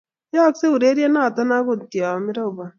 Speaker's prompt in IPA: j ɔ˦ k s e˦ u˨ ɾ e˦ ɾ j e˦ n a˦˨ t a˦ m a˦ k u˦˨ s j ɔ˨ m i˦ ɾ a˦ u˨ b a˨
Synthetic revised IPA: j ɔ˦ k s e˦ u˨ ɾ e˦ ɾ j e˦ n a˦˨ t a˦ n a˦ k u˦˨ t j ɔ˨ m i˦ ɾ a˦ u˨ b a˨